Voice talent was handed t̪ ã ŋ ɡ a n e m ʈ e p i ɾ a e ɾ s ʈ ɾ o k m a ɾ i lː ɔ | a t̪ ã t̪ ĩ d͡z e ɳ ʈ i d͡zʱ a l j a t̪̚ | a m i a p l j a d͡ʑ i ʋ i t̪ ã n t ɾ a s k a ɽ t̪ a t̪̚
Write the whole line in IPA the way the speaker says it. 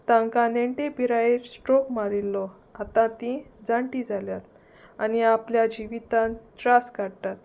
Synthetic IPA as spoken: t̪ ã ŋ k a n e ɳ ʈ e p i ɾ a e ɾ s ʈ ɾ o k m a ɾ i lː ɔ | a t̪ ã t̪ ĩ d͡z a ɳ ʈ i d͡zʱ a l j a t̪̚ | a n i a p l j a d͡ʑ i ʋ i t̪ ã n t ɾ a s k a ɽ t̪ a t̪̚